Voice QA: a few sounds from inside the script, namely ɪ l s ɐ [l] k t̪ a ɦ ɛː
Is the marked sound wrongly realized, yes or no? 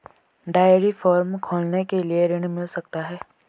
yes